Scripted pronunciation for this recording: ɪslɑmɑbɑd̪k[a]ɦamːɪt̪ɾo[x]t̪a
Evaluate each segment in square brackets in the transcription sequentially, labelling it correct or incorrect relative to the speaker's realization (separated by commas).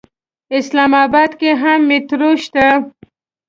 incorrect, incorrect